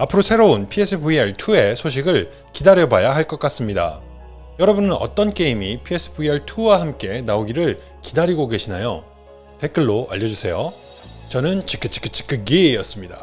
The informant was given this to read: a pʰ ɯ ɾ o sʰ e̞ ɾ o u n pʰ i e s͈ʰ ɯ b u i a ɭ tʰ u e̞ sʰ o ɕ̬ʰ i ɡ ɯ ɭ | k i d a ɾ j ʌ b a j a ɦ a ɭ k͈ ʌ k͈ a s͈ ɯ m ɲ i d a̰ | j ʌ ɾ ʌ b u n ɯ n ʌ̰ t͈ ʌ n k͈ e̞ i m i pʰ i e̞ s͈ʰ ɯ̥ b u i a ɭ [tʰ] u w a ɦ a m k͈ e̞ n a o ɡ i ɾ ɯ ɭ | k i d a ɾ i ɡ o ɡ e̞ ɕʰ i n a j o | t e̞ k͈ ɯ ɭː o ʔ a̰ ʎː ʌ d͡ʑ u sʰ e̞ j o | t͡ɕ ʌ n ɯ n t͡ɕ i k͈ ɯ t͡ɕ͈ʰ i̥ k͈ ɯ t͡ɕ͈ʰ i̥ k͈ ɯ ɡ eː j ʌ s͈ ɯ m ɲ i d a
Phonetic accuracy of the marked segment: correct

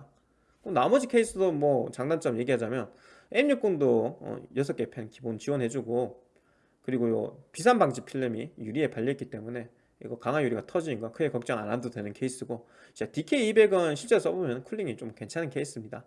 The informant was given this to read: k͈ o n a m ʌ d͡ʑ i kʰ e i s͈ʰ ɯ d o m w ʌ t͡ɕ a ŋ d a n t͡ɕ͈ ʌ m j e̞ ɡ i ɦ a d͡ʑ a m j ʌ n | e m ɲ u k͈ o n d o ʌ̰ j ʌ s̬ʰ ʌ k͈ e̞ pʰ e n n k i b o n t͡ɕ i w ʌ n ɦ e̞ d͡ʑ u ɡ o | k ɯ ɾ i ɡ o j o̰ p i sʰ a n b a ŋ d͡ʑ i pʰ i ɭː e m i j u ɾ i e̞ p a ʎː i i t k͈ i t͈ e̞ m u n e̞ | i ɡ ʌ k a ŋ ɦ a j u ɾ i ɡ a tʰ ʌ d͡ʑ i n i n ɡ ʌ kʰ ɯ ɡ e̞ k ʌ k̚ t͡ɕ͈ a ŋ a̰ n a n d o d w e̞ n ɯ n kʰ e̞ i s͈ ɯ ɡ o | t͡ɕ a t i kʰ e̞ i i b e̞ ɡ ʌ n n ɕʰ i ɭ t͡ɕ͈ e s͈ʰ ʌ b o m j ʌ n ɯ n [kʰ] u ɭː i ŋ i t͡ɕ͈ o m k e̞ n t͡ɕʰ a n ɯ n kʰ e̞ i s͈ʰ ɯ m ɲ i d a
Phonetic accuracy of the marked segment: correct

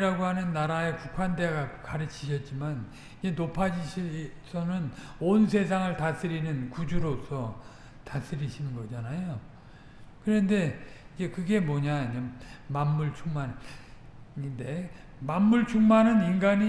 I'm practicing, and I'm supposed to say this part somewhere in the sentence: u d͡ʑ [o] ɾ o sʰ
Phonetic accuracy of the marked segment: incorrect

